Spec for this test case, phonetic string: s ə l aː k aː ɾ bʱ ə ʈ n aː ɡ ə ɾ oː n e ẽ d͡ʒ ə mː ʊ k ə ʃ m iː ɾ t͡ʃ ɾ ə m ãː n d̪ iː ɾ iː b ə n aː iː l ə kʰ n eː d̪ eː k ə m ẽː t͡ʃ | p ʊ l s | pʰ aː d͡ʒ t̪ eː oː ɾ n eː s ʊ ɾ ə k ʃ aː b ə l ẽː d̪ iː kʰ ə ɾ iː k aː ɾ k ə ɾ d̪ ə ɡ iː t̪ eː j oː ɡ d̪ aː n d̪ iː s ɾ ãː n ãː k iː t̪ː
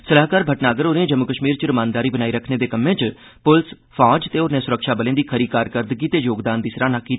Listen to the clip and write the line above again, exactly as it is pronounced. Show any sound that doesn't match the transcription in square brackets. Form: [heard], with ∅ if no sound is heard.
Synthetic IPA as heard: s ə l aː k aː ɾ bʱ ə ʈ n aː ɡ ə ɾ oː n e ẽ d͡ʒ ə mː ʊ k ə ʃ m iː ɾ t͡ʃ ɾ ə m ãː n d̪ [aː] ɾ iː b ə n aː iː [ɾ] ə kʰ n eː d̪ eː k ə m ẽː t͡ʃ | p ʊ l s | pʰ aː d͡ʒ t̪ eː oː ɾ n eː s ʊ ɾ ə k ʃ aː b ə l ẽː d̪ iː kʰ ə ɾ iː k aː ɾ k ə ɾ d̪ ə ɡ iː t̪ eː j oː ɡ d̪ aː n d̪ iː s ɾ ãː n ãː k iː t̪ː